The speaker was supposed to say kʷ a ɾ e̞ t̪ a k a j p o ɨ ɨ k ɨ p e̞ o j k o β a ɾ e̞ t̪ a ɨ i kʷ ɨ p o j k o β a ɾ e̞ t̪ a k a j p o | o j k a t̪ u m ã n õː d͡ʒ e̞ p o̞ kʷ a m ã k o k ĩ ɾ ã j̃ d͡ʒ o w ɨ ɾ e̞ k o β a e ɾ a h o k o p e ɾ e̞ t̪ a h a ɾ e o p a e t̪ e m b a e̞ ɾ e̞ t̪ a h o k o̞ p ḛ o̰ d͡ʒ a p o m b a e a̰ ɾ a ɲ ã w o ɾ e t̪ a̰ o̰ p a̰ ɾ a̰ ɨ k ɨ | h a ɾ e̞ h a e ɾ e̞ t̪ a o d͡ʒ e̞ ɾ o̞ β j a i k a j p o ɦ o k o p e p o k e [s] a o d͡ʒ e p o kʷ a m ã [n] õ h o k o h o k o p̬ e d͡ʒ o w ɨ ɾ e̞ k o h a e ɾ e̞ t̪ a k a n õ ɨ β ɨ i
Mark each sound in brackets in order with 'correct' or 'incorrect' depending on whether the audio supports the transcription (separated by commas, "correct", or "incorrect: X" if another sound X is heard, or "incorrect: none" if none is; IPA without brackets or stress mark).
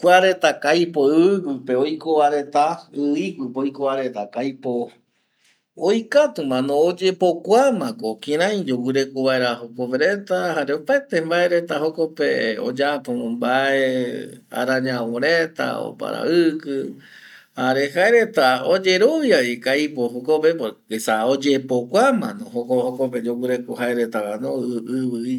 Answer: correct, correct